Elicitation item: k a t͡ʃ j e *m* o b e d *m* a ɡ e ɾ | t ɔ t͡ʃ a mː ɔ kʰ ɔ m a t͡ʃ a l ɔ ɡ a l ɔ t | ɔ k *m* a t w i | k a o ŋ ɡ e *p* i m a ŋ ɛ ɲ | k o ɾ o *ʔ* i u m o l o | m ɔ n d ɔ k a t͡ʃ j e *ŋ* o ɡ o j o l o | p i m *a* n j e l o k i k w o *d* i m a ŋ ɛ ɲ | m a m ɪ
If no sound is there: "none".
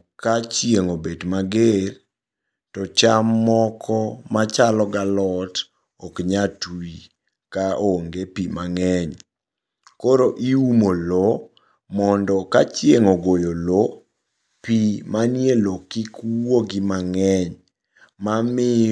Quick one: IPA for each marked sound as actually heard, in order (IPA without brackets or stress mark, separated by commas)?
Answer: ŋ, m, ɲ, p, ʔ, ŋ, a, ɡ